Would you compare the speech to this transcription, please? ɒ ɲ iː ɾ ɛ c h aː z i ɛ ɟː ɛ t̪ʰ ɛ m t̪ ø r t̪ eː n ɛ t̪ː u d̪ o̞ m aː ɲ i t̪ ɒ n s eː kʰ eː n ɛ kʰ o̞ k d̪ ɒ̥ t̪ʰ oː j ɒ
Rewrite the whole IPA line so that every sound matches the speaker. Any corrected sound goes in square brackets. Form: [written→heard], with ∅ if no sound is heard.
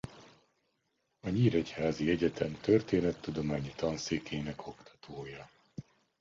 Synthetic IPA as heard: ɒ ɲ iː ɾ ɛ c h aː z i ɛ [ɟː→ɟ] ɛ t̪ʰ ɛ m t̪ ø r t̪ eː n ɛ t̪ː u d̪ o̞ m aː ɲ i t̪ ɒ n s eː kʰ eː n ɛ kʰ o̞ k [d̪→t̪] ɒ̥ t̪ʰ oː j ɒ